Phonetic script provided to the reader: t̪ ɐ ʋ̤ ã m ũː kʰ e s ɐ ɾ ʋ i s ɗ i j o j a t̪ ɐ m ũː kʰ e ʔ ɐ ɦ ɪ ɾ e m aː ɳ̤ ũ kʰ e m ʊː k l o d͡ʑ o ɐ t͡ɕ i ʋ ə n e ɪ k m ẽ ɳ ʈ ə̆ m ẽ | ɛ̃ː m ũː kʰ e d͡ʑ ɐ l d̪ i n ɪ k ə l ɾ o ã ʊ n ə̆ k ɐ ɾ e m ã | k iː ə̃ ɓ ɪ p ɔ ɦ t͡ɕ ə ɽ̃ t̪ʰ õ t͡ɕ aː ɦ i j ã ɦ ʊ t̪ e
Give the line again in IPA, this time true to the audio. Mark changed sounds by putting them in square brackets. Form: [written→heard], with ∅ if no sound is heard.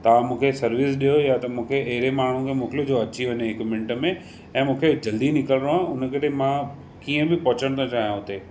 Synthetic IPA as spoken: t̪ ɐ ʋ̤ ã m ũː kʰ e s ɐ ɾ ʋ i s ɗ i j o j a t̪ ɐ m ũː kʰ e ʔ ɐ ɦ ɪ ɾ e m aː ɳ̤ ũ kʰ e m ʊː k l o d͡ʑ o ɐ t͡ɕ i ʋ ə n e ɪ k m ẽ ɳ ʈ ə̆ m ẽ | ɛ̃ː m ũː kʰ e d͡ʑ ɐ l d̪ i n ɪ k ə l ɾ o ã ʊ n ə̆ k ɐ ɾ e m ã | k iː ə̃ [ɓ→b] ɪ p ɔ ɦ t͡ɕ ə ɽ̃ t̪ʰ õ t͡ɕ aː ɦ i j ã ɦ ʊ t̪ e